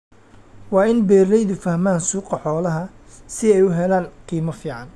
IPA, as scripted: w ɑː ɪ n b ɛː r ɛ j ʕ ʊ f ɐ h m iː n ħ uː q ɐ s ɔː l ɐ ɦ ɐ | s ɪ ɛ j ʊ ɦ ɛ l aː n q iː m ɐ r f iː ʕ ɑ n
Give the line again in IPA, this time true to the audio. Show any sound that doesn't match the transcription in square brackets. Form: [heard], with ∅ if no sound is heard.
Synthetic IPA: w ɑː ɪ n b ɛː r ɛ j [ð] ʊ f ɐ h m [aː] n [s] uː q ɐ [ħ] ɔː l ɐ ɦ ɐ | s ɪ ɛ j ʊ ɦ ɛ l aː n q iː m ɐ [∅] f iː ʕ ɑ n